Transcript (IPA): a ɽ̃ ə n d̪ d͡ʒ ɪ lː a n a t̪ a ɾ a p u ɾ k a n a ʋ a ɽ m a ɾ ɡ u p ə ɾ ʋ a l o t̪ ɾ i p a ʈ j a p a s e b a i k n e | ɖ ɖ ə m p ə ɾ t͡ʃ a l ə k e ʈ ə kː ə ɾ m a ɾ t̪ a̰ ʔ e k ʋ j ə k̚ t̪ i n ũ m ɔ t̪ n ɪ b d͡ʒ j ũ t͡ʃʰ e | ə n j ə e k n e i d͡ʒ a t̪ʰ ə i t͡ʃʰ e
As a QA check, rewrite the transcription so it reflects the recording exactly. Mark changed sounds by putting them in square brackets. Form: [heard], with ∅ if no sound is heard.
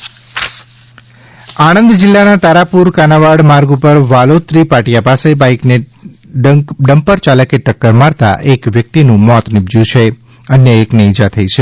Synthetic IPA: a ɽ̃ ə n d̪ d͡ʒ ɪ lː a n a t̪ a ɾ a p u ɾ k a n a ʋ a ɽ m a ɾ ɡ u p ə ɾ ʋ a l o t̪ ɾ i p a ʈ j a p a s e b a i k n e | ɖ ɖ ə m p ə ɾ t͡ʃ a l ə k e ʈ ə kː ə ɾ m a ɾ t̪ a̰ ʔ e k ʋ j ə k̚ t̪ i n ũ m ɔ t̪ n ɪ b d͡ʒ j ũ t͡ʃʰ e | ə n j ə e k n e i d͡ʒ a t̪ʰ ə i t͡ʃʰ e

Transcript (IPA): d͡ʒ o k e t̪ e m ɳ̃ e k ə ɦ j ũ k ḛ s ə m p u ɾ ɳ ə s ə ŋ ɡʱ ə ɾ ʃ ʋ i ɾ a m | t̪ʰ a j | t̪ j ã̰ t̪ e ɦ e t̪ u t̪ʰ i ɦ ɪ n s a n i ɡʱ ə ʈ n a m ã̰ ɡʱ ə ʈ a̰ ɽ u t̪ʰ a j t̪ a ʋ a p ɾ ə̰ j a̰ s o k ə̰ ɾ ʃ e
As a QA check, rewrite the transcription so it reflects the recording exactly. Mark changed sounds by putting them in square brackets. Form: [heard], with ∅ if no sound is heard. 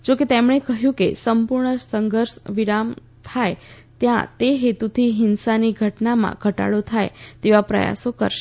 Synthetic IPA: d͡ʒ o k e t̪ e m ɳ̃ e k ə ɦ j ũ k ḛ s ə m p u ɾ ɳ ə s ə ŋ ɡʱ ə ɾ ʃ ʋ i ɾ a m | t̪ʰ a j | t̪ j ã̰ t̪ e ɦ e t̪ u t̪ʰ i ɦ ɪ n s a n i ɡʱ ə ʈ n a m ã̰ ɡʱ ə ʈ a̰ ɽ [o] t̪ʰ a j t̪ [e] ʋ a p ɾ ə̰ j a̰ s o k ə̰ ɾ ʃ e

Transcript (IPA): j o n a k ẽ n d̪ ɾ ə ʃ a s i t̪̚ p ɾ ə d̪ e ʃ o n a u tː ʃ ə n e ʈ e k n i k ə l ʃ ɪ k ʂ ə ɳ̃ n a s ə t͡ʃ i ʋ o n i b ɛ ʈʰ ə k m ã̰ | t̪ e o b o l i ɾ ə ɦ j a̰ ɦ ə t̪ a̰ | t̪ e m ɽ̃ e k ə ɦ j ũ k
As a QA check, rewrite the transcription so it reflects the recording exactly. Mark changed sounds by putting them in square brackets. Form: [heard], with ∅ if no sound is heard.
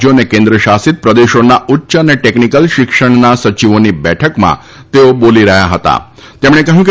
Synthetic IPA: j o n [e] k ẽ n d̪ ɾ ə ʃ a s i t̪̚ p ɾ ə d̪ e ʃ o n a u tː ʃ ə n e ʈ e k n i k ə l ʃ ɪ k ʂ ə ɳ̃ n a s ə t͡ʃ i ʋ o n i b ɛ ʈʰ ə k m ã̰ | t̪ e o b o l i ɾ ə ɦ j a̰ ɦ ə t̪ a̰ | t̪ e m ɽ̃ e k ə ɦ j ũ k

